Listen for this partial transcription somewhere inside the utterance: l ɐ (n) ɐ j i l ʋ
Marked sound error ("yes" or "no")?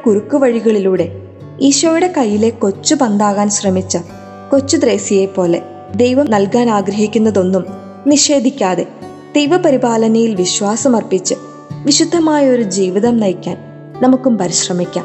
no